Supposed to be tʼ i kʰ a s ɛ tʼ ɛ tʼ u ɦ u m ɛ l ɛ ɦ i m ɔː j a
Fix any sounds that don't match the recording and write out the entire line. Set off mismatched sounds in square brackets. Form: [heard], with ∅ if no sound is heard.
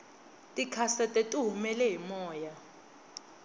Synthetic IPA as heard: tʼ i kʰ a s ɛ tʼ ɛ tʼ u ɦ u m ɛ l ɛ ɦ i m ɔː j a